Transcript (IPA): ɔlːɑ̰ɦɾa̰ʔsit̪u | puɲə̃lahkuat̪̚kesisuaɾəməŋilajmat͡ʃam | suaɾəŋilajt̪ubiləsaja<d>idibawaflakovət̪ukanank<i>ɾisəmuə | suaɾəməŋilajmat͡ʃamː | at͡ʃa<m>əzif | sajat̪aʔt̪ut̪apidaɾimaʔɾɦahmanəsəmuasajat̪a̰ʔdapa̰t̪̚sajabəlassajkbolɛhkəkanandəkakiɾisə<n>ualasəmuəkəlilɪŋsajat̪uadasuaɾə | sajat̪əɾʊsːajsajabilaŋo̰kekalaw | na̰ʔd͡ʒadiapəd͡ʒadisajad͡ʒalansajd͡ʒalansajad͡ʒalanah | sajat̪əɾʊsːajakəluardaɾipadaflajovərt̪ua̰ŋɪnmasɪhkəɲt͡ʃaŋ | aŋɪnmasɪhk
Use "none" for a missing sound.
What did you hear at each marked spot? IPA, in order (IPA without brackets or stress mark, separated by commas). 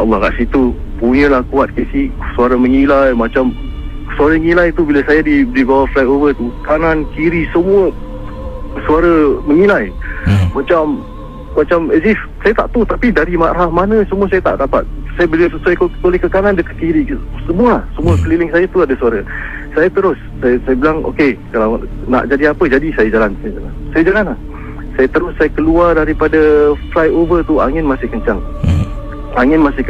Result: d, i, m, m